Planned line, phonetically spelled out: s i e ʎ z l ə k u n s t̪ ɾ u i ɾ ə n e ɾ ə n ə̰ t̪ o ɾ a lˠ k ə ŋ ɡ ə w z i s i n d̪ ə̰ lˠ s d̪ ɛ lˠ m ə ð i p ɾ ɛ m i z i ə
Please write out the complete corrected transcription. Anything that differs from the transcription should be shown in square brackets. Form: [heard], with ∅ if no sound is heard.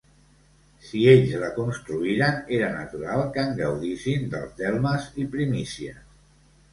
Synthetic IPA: s i e ʎ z l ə k u n s t̪ ɾ u i ɾ ə n e ɾ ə n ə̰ t̪ [u] ɾ a lˠ k ə ŋ ɡ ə w [ð] i s i n d̪ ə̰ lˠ [z] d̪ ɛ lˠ m ə [z] i p ɾ [i] m i [s] i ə